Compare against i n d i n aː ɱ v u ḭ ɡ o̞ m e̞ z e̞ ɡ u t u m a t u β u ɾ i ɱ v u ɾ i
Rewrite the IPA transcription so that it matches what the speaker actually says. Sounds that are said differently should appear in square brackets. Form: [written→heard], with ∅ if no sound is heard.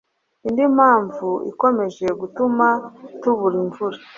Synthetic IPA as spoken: i n d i [n→m] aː ɱ v u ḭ [ɡ→k] o̞ m e̞ [z→ʒ] e̞ ɡ u t u m a t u β u ɾ i ɱ v u ɾ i